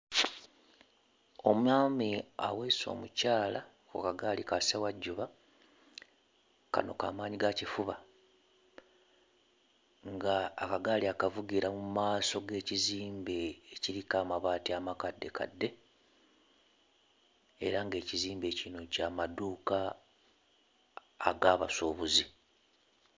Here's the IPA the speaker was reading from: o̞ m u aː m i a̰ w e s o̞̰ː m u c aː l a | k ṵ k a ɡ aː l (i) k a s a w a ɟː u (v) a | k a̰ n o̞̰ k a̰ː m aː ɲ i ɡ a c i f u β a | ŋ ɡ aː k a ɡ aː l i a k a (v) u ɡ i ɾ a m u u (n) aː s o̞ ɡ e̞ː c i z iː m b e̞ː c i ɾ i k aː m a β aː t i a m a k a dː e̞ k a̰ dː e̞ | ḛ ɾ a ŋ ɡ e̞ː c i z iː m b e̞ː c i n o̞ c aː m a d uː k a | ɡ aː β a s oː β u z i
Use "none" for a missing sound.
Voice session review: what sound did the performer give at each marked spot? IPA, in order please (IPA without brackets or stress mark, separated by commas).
i, β, v, m